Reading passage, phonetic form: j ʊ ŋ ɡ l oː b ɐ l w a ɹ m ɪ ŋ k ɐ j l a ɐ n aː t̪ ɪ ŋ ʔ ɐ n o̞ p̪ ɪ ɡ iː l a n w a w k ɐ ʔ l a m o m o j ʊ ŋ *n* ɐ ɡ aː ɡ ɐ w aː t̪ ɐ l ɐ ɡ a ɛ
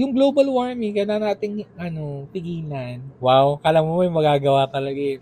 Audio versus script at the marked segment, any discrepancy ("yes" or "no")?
yes